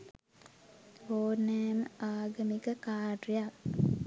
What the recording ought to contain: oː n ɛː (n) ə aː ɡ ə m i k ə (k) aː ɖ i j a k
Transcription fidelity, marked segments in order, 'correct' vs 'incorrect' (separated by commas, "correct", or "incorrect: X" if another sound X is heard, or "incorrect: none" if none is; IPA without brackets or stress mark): incorrect: m, correct